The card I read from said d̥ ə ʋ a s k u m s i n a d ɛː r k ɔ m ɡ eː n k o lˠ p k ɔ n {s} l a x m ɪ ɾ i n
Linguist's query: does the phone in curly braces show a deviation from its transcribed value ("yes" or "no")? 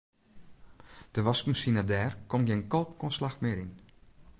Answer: no